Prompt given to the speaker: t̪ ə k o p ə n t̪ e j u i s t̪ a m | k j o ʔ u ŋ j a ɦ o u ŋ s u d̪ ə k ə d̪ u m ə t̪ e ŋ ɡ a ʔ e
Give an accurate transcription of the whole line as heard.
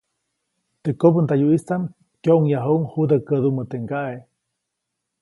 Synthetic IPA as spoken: t̪ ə k o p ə n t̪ a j u i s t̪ a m | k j o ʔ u ŋ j a ɦ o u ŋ h u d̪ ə k ə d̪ u m ə t̪ e ŋ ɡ a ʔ e